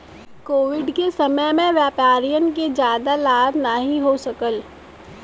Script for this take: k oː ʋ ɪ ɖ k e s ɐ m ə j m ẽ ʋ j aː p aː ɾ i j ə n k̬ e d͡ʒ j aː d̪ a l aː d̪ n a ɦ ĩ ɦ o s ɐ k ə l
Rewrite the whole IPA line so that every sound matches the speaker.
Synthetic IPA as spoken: k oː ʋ ɪ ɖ k e s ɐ m ə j m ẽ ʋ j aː p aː ɾ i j ə n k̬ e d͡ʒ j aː d̪ a l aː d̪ n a ɦ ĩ ɦ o s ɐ k ə l